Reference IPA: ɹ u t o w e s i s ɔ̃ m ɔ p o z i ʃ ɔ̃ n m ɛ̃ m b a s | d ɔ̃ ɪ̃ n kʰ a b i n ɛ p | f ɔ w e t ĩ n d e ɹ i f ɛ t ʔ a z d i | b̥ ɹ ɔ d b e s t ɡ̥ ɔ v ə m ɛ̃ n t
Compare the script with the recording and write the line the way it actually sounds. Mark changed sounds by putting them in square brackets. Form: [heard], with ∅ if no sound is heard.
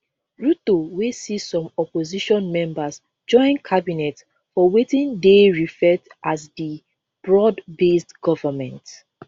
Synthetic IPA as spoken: ɹ u t o w e s i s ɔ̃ m ɔ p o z i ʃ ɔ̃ n m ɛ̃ m b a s | [d͡ʒ] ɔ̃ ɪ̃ n kʰ a b i n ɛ [t] | f ɔ w e t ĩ n d e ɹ i f ɛ t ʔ a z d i | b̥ ɹ ɔ d b e s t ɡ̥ ɔ v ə m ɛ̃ n t

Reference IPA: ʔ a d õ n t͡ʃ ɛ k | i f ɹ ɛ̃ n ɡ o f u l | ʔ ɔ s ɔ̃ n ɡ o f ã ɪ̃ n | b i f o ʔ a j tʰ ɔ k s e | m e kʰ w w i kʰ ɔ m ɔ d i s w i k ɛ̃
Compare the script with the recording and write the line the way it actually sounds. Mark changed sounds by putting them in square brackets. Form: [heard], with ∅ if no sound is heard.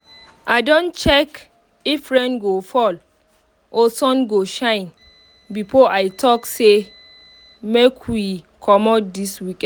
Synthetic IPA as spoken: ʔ a d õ n t͡ʃ ɛ k | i f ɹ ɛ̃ n ɡ o f [ɔ] l | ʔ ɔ s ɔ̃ n ɡ o [ʃ] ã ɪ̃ n | b i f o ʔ a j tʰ ɔ k s e | m e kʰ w w i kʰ ɔ m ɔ d i s w i k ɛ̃

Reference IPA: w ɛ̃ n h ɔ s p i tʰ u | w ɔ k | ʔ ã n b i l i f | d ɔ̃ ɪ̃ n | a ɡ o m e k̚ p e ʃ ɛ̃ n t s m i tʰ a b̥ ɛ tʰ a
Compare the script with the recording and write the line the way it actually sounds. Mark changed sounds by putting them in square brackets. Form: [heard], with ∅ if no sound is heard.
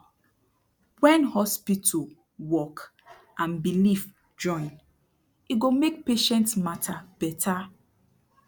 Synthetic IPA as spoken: w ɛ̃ n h ɔ s p i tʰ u | w ɔ k | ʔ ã n b i l i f | [d͡ʒ] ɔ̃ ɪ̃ n | [i] ɡ o m e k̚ p e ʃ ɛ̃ n t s m [a] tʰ a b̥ ɛ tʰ a

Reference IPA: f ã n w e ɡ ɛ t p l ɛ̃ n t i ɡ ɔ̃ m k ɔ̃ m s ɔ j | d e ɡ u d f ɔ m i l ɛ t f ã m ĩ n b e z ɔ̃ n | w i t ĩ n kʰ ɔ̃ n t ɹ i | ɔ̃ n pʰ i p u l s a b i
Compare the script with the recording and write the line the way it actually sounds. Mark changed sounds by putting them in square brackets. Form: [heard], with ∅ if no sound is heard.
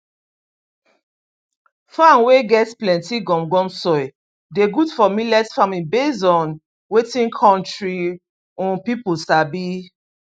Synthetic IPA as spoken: f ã n w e ɡ ɛ t p l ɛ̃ n t i ɡ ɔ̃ m [ɡ] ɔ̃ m s ɔ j | d e ɡ u d f ɔ m i l ɛ t f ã m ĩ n b e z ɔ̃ n | w [e] t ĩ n kʰ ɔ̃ n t ɹ i | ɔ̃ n [p] i p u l s a b i

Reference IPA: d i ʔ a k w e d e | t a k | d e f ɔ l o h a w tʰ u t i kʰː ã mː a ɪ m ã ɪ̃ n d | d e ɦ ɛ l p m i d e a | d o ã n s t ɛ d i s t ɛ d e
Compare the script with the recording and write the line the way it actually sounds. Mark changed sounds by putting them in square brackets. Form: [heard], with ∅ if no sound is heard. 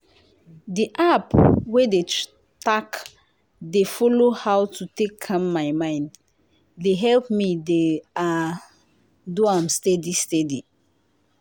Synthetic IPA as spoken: d i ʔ a [p] w e d e | t a k | d e f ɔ l o h a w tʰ u t [e] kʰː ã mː a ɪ m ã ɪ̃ n d | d e ɦ ɛ l p m i d e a | d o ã [m] s t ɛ d i s t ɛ d [i]

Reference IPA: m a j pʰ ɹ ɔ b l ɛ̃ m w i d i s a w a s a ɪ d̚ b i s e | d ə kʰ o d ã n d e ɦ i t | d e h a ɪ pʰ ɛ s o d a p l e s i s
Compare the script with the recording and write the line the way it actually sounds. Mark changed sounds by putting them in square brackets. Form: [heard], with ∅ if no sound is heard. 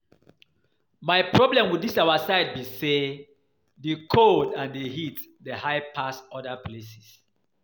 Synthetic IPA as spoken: m a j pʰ ɹ ɔ b l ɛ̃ m w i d i s a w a s a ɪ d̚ b i s e | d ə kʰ o d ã n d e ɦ i t | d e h a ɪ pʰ [a] s [ɔ] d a p l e s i s

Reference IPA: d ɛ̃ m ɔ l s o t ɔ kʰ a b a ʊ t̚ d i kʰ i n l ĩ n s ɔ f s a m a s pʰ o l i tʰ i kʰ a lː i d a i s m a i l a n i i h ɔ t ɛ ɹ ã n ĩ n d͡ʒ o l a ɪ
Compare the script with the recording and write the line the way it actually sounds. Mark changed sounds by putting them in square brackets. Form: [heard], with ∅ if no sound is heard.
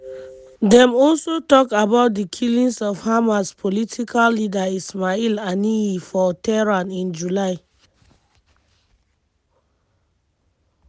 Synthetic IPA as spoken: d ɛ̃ m ɔ l s o t ɔ [k] a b a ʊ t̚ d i kʰ i [∅] l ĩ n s ɔ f [h] a m a s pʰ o l i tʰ i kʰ a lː i d a i s m a i l a n i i [f] ɔ t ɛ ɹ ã n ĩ n d͡ʒ [u] l a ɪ

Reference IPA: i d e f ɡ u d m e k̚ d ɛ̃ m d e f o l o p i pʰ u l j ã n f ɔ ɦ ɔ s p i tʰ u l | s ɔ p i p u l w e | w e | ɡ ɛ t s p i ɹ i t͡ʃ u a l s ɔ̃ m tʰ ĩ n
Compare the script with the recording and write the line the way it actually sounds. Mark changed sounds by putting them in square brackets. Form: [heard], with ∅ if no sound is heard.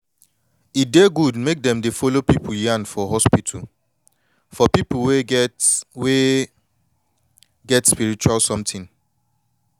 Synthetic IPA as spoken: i d e [∅] ɡ u d m e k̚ d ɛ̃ m d e f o l o p i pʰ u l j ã n f ɔ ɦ ɔ s p i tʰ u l | [f] ɔ p i p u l w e | w e | ɡ ɛ t s p i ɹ i t͡ʃ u a l s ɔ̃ m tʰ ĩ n

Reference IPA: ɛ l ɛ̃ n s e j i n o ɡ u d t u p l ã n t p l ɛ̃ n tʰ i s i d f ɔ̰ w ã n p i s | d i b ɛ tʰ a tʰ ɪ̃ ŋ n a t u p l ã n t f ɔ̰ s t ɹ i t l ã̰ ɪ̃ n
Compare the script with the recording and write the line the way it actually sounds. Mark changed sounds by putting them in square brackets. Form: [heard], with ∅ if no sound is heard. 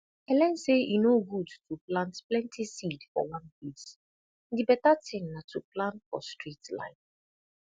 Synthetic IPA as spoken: ɛ l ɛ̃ n s e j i n o ɡ u d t u p l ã n t p l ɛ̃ n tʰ i s i d f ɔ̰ w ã n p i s | d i b ɛ [t] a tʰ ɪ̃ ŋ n a t u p l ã n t f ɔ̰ s t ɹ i t l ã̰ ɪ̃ n

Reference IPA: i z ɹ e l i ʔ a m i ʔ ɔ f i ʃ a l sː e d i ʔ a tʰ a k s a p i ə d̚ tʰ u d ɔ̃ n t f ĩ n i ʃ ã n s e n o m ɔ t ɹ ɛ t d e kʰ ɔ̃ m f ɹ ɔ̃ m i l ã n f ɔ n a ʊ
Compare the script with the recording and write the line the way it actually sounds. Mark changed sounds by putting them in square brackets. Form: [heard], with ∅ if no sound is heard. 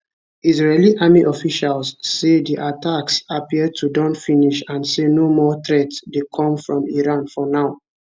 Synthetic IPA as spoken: i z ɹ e l i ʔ a m i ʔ ɔ f i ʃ a l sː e d i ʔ a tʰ a k s a p i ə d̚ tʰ u d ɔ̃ n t f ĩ n i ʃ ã n s e n o m ɔ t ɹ ɛ t d e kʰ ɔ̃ m f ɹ ɔ̃ m i [ɹ] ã n f ɔ n a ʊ

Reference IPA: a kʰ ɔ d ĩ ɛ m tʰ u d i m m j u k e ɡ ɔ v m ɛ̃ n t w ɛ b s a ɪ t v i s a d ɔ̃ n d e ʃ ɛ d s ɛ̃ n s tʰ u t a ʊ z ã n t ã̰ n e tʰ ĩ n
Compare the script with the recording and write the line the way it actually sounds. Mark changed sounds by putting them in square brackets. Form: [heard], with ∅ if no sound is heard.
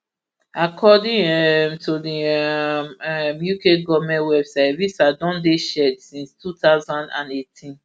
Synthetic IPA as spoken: a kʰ ɔ d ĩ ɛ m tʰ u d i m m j u k e ɡ ɔ v m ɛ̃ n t w ɛ b s a ɪ t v i s a d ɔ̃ n d e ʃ ɛ d s [ĩ] n s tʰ u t a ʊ z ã n [d] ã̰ n e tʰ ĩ n

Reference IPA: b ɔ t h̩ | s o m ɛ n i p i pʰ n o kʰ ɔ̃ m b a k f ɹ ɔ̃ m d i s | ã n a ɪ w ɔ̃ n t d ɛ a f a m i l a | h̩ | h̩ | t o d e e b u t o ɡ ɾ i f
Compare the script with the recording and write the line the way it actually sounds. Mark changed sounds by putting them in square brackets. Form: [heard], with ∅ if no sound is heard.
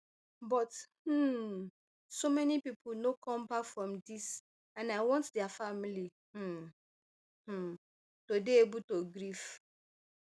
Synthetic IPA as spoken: b ɔ t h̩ | s o m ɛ n i p i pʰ n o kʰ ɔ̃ m b a k f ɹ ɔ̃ m d i s | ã n a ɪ w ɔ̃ n t d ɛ a f a m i l [i] | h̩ | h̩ | t o d e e b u t o ɡ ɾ i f

